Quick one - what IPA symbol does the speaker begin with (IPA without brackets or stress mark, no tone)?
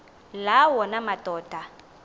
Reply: l